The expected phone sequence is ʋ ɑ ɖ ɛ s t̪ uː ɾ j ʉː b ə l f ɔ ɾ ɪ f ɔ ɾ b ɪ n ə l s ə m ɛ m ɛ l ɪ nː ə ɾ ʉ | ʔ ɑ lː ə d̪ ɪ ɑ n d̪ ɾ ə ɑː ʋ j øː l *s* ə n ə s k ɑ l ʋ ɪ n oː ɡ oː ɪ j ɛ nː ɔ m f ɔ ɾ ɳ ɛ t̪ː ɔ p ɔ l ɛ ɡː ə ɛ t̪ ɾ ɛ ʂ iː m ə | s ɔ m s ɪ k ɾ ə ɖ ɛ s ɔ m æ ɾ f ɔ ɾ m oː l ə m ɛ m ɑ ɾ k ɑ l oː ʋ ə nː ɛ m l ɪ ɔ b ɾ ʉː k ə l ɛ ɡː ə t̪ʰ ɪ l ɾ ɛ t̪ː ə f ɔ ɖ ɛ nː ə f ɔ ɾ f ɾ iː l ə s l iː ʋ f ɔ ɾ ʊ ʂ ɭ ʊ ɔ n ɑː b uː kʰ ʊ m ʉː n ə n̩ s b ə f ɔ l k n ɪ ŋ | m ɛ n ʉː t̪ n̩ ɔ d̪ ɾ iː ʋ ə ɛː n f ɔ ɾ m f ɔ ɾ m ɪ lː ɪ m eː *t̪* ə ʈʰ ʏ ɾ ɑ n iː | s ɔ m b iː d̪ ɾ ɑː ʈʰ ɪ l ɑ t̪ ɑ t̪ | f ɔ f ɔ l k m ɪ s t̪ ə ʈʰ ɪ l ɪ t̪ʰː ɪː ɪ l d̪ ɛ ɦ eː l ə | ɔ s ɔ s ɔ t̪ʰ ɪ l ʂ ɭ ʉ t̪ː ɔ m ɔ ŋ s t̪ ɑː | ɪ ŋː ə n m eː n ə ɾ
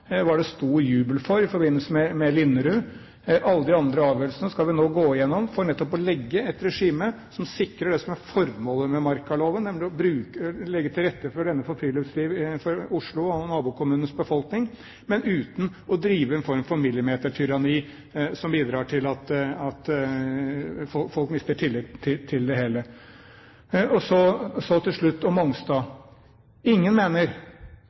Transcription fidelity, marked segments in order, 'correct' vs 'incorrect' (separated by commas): correct, correct